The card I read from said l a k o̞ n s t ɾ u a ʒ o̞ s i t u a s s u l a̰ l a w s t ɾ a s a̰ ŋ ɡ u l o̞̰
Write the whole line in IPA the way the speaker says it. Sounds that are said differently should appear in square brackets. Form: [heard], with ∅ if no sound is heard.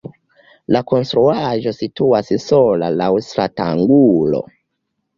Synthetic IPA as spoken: l a k o̞ n s t ɾ u a ʒ o̞ s i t u a s s [o] l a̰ l a w s t ɾ a [t] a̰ ŋ ɡ u l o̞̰